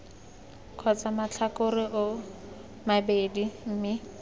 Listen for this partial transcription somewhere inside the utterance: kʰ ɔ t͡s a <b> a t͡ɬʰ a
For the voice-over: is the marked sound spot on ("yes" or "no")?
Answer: no